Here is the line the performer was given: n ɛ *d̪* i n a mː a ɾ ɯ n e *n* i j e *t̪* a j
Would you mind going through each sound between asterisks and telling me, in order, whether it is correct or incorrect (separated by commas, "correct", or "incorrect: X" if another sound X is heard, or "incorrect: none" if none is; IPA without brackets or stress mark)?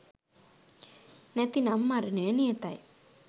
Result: incorrect: t̪, correct, correct